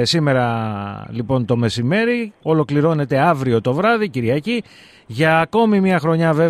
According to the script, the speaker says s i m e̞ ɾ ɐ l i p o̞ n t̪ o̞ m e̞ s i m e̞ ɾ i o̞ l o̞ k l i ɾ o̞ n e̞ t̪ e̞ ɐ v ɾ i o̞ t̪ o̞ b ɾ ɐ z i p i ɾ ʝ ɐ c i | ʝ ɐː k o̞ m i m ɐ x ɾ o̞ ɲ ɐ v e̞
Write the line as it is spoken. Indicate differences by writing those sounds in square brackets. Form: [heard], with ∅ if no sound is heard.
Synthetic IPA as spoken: s i m e̞ ɾ ɐ l i p o̞ n t̪ o̞ m e̞ s i m e̞ ɾ i o̞ l o̞ k l i ɾ o̞ n e̞ t̪ e̞ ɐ v ɾ i o̞ t̪ o̞ [v] ɾ ɐ [ð] i [c] i ɾ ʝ ɐ c i | ʝ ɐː k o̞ m i m ɐ x ɾ o̞ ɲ ɐ v e̞